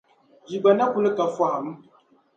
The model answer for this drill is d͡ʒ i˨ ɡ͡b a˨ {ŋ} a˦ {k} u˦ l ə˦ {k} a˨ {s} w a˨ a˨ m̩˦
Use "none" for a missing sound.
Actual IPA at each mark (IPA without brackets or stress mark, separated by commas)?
n, k, k, f